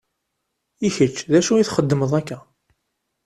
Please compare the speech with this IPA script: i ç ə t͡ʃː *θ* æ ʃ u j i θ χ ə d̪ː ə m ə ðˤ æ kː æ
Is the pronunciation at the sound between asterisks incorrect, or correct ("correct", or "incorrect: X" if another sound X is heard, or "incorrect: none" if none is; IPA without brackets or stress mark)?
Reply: incorrect: ð